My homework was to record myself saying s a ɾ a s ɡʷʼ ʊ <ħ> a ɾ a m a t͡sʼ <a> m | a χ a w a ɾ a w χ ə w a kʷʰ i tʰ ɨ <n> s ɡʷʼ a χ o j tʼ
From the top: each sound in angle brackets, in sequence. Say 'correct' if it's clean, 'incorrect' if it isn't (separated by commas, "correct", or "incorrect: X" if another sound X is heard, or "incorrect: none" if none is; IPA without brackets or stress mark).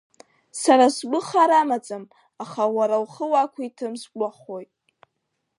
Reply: incorrect: χ, correct, incorrect: m